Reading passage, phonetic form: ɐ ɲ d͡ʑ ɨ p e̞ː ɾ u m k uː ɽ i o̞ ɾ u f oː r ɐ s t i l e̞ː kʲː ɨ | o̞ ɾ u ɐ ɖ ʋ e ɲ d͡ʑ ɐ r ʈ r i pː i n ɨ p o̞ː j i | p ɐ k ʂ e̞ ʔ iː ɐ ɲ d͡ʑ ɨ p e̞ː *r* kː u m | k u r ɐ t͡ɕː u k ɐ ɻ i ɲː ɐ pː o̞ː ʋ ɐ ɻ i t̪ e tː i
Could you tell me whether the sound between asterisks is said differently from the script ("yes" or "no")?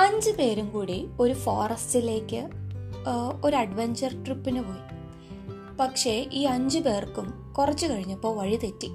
no